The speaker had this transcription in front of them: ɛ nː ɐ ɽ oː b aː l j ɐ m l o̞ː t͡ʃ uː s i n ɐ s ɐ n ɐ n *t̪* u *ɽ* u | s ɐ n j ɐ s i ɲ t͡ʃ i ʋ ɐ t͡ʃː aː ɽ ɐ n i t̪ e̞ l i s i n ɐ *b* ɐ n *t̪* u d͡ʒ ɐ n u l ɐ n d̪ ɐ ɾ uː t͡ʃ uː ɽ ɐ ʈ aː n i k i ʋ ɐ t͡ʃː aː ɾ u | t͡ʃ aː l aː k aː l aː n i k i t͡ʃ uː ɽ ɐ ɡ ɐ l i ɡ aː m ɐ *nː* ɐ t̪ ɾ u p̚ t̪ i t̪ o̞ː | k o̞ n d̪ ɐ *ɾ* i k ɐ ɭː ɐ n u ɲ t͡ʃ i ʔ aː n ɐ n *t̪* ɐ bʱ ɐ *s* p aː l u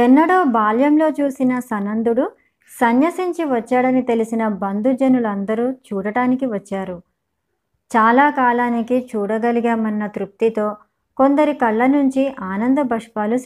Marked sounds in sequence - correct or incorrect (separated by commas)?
incorrect, correct, correct, incorrect, correct, correct, incorrect, incorrect